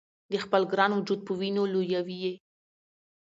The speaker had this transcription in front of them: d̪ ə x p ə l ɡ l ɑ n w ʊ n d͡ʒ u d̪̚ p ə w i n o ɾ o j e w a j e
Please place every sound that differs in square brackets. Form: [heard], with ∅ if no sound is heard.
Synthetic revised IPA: d̪ ə x p ə l ɡ [ɾ] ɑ n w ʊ [∅] d͡ʒ u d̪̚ p ə w i n o [l] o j [a] w [i] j e